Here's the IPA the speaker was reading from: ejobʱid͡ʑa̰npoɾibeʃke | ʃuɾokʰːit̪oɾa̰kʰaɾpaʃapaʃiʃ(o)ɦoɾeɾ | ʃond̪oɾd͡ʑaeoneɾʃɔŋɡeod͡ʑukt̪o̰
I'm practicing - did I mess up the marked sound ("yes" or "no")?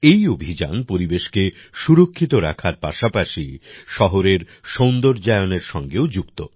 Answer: yes